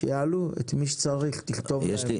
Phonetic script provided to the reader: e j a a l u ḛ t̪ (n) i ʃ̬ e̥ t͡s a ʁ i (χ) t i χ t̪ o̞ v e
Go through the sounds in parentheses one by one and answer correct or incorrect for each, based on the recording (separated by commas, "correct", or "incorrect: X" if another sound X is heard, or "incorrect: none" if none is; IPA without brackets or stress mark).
incorrect: m, correct